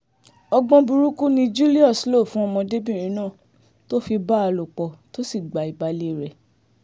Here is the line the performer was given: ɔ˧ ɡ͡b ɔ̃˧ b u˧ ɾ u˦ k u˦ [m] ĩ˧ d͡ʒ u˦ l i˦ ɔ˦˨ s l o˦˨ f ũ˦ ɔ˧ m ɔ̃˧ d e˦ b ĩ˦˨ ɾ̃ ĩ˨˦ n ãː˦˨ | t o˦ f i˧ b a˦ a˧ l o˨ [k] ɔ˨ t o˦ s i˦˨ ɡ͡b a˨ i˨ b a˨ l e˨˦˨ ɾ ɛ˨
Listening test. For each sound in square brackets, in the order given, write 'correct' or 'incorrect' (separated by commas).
incorrect, incorrect